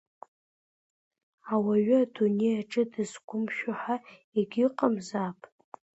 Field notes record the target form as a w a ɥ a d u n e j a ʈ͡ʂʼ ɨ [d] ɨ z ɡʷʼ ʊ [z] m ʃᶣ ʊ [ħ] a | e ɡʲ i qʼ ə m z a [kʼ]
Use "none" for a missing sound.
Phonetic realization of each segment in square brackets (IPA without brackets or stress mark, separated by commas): d, none, ħ, pʼ